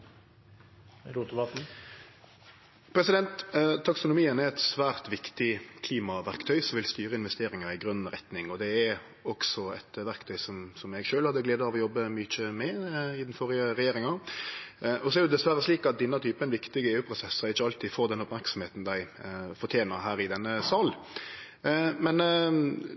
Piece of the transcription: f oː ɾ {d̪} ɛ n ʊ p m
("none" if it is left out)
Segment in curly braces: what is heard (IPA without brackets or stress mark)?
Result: d̪